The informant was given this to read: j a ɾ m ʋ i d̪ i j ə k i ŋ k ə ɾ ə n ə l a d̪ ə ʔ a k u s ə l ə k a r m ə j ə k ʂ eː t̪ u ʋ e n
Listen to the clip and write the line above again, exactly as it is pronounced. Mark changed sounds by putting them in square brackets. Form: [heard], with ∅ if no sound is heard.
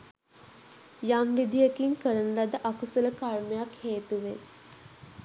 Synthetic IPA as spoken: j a [∅] m ʋ i d̪ i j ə k i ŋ k ə ɾ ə n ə l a d̪ ə ʔ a k u s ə l ə k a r m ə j [a] k [h] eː t̪ u ʋ e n